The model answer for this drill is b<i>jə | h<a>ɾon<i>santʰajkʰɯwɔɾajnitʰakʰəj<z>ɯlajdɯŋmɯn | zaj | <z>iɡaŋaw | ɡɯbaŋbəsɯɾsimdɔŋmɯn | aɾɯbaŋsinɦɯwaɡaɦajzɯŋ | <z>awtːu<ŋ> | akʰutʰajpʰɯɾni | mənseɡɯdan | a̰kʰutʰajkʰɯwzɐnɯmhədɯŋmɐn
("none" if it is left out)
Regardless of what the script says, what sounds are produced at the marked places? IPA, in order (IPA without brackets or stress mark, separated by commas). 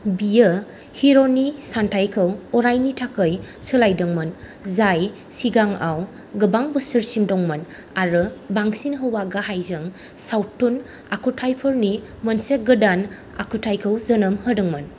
i, i, i, s, s, s, n